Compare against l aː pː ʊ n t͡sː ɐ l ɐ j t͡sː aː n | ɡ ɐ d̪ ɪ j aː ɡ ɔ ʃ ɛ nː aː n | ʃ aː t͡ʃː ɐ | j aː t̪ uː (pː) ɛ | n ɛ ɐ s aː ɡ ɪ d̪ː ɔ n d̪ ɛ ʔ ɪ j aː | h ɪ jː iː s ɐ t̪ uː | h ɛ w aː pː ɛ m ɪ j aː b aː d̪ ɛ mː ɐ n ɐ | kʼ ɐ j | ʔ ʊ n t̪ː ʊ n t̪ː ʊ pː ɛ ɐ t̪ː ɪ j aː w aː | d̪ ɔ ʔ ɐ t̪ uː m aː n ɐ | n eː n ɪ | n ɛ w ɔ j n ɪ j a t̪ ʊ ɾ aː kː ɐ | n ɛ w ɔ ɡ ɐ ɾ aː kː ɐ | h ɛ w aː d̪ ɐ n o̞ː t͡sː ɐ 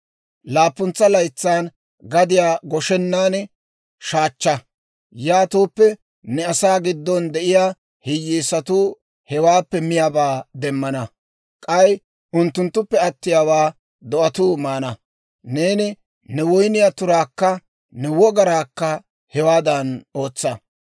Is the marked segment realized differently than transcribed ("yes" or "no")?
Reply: no